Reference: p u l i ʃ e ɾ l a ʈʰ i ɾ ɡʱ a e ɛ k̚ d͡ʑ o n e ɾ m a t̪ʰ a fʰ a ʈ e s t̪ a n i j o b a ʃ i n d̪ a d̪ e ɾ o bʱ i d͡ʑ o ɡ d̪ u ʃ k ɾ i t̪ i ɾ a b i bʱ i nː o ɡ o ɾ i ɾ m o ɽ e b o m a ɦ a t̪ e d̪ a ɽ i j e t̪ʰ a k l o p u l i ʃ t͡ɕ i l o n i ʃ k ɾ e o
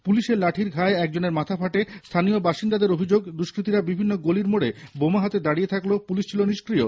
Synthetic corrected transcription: p u l i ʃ e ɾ l a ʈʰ i ɾ ɡʱ a e ɛ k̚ d͡ʑ o n e ɾ m a t̪ʰ a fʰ a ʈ e s t̪ʰ a n i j o b a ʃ i n d̪ a d̪ e ɾ o bʱ i d͡ʑ o ɡ d̪ u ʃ k ɾ i t̪ i ɾ a b i bʱ i nː o ɡ o l i ɾ m o ɽ e b o m a ɦ a t̪ e d̪ a ɽ i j e t̪ʰ a k l o p u l i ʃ t͡ɕʰ i l o n i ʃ k ɾ i o